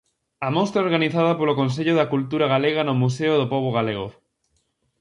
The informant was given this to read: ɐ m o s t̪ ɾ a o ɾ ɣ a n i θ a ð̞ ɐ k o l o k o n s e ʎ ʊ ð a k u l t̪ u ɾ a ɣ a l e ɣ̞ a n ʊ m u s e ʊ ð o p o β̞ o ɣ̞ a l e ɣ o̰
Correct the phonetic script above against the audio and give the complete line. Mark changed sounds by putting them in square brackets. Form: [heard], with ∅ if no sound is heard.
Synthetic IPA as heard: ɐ m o s t̪ ɾ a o ɾ ɣ a n i θ a ð̞ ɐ [p] o l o k o n s e ʎ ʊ ð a k u l t̪ u ɾ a ɣ a l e ɣ̞ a n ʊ m u s e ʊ ð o p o β̞ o ɣ̞ a l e ɣ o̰